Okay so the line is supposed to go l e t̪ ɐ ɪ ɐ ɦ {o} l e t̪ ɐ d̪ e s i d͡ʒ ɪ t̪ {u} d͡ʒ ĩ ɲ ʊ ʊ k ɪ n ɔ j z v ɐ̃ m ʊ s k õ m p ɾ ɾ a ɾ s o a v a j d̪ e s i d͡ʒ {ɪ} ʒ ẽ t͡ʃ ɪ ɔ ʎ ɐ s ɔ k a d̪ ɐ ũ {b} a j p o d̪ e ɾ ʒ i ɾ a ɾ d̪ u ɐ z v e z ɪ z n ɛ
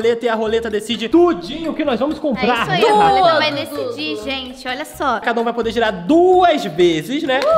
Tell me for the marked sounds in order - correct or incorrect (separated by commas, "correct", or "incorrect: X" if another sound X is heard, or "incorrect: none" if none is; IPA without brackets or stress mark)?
correct, correct, incorrect: i, incorrect: v